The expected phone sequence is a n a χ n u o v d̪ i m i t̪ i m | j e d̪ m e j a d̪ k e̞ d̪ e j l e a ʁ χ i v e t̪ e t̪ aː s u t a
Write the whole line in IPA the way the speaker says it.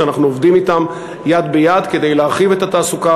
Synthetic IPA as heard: a n a χ n u o v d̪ i m i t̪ a m | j a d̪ b e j a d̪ k e̞ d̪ e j l e a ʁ χ i v e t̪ a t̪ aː s u k a